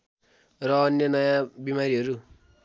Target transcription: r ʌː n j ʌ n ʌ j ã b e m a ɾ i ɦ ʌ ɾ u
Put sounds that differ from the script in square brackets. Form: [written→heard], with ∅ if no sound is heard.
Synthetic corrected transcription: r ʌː n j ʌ n ʌ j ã b [e→i] m a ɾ i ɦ ʌ ɾ u